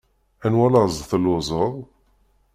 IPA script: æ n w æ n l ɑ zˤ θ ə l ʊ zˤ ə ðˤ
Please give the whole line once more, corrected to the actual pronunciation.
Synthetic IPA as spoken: æ n w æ l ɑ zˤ θ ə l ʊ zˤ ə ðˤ